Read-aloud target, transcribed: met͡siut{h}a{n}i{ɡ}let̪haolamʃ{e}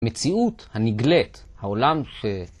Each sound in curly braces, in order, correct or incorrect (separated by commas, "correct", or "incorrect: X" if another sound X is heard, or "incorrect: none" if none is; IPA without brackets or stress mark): correct, correct, correct, correct